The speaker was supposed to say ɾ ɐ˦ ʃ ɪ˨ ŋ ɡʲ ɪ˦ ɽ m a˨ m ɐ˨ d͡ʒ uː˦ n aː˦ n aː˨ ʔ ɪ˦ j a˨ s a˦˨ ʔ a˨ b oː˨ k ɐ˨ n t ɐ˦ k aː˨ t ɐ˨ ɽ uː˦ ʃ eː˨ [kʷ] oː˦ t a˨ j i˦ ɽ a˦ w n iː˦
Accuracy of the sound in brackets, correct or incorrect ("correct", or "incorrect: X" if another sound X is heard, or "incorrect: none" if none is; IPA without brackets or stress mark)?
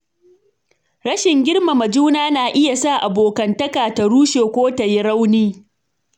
correct